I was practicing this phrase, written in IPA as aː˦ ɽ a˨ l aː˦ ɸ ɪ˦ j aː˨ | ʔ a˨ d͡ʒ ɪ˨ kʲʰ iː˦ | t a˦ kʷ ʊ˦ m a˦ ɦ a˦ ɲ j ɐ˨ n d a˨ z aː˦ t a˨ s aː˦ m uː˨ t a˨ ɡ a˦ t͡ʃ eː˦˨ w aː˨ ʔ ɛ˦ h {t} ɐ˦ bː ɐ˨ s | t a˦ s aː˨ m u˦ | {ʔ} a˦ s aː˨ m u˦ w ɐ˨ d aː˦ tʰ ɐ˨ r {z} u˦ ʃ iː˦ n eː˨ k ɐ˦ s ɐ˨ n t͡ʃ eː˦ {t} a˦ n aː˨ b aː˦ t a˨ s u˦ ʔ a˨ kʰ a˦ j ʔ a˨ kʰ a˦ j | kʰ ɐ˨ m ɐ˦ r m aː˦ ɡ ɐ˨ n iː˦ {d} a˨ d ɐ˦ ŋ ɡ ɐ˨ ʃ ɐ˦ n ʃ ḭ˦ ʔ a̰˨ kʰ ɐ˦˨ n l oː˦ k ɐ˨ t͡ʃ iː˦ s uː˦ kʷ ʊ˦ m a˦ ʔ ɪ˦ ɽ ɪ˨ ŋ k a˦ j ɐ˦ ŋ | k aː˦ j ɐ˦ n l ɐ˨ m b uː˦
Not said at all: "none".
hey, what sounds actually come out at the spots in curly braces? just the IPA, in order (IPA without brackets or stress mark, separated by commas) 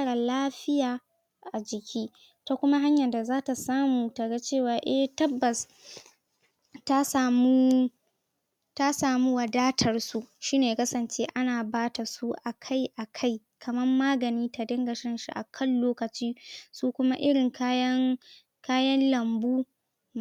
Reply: t, t, s, ʔ, t